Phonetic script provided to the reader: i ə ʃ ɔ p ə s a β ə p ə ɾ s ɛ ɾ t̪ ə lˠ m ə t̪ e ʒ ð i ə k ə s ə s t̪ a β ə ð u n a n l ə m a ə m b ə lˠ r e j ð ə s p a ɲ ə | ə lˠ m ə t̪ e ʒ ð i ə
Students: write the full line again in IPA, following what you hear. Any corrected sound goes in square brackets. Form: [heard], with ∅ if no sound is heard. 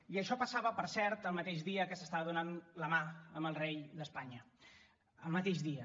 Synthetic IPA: i ə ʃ ɔ p ə s a β ə p ə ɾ s ɛ ɾ t̪ ə lˠ m ə t̪ e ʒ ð i ə k ə s ə s t̪ a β ə ð u n a n l ə m a ə m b ə lˠ r e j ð ə s p a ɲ ə | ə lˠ m ə t̪ e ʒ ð i ə